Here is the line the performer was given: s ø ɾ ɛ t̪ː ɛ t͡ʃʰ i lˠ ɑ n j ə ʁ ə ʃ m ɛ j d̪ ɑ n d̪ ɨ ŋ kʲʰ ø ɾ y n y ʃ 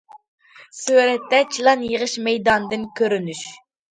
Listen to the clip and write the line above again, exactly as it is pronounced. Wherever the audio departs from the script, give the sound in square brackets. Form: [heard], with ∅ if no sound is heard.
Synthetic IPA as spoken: s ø ɾ ɛ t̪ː ɛ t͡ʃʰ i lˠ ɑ n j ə ʁ ə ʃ m ɛ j d̪ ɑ n d̪ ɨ [n] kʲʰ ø ɾ y n y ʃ